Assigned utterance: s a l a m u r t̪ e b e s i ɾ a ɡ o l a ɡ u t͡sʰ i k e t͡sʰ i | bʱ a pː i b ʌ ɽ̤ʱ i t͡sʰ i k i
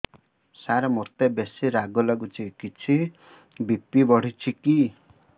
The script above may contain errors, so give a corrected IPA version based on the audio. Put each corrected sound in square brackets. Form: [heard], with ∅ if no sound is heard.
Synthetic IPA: s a [ɾ] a m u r t̪ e b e s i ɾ a ɡ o l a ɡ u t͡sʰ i k [i] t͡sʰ i | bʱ [i] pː i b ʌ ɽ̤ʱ i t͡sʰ i k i